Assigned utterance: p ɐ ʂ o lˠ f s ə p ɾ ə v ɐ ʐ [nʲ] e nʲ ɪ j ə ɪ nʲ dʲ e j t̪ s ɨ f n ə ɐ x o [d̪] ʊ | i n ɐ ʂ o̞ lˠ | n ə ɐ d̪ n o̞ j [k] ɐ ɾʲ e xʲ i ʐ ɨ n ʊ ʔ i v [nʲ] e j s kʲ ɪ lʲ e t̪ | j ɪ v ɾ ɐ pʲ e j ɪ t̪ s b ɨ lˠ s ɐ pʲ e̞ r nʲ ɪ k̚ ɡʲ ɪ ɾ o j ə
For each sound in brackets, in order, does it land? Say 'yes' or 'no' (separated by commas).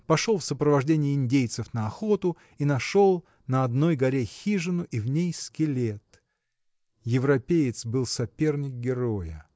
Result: no, no, no, yes